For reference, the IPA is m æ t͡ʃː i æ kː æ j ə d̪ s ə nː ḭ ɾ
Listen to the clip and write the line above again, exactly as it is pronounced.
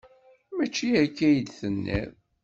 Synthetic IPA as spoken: m æ t͡ʃː i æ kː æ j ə d̪ θ ə nː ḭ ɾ